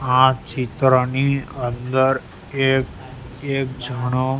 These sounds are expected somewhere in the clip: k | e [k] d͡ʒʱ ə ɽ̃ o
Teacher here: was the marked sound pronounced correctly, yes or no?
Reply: yes